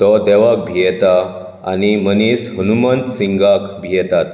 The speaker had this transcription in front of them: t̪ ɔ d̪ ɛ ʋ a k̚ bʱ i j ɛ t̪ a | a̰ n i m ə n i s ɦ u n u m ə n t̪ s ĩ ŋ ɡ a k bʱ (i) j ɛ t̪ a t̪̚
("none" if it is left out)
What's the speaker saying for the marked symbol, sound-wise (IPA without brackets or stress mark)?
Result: i